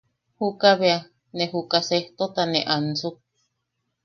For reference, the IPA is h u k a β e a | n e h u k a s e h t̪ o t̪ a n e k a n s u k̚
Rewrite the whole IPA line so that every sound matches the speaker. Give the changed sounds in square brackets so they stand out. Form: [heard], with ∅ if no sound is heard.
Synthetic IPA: h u k a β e a | n e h u k a s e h t̪ o t̪ a n e [ʔ] a n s u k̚